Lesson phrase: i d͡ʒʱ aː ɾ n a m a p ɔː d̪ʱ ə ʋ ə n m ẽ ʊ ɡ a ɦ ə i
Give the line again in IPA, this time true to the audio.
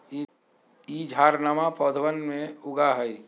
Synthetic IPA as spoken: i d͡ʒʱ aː ɾ n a m a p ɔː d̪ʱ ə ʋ ə n m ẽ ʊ ɡ a ɦ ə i